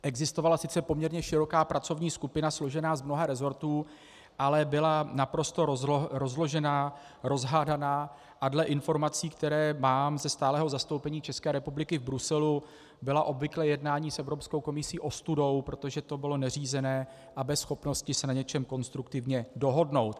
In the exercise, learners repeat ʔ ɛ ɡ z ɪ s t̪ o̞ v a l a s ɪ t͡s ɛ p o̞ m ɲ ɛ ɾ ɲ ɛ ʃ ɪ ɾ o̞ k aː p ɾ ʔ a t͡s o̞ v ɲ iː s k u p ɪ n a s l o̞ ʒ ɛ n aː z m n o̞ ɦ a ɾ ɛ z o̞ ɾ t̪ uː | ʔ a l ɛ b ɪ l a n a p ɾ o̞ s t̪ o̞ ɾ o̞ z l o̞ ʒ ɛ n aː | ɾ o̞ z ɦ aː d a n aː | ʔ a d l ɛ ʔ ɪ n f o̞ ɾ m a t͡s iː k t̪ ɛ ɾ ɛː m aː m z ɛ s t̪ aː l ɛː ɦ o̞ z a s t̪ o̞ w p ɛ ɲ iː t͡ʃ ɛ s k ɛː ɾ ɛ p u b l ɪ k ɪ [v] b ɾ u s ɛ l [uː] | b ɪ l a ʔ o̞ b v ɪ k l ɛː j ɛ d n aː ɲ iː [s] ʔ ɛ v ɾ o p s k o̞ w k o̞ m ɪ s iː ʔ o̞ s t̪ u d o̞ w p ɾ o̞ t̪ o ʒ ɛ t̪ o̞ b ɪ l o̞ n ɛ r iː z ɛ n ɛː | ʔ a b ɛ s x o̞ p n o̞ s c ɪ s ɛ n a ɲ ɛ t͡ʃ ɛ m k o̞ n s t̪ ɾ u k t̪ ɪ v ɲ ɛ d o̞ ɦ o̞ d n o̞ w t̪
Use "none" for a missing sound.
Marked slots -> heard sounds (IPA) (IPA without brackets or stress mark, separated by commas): v, u, s